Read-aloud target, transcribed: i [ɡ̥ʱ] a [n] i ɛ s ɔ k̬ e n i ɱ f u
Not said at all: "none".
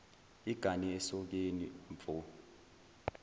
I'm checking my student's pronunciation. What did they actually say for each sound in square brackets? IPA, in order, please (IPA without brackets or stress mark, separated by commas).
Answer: ɡ̥ʱ, n